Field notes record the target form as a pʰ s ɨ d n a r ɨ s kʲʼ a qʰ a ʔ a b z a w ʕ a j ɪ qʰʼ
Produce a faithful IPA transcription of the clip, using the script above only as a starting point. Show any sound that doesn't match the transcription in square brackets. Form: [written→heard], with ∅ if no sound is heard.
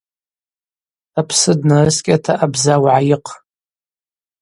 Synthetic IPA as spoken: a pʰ s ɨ d n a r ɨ s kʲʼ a [qʰ→tʰ] a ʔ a b z a w ʕ a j ɪ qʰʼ